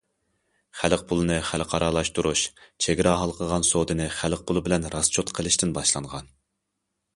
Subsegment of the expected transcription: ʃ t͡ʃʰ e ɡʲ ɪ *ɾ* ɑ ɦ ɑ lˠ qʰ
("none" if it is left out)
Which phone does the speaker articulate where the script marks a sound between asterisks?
ɾ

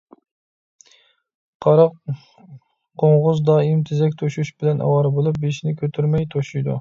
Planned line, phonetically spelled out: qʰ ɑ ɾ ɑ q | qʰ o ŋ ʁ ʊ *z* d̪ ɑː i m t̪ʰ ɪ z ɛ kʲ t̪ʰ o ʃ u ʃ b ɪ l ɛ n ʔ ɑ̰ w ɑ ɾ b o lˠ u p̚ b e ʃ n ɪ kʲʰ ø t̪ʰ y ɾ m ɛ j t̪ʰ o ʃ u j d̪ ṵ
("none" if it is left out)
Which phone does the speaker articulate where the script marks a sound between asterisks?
z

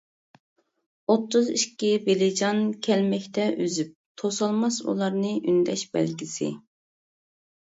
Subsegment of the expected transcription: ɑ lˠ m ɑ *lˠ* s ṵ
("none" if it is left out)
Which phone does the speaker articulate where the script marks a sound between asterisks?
none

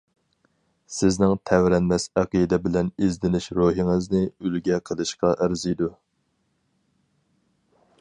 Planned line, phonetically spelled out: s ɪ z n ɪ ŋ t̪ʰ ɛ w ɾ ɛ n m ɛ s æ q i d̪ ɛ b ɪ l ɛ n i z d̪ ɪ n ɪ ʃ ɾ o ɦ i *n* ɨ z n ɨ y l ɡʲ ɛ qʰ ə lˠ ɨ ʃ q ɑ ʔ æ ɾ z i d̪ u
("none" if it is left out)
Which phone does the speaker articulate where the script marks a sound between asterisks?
ŋ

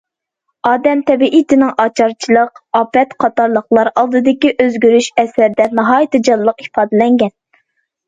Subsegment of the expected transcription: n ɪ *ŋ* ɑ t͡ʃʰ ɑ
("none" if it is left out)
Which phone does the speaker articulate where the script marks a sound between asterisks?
ŋ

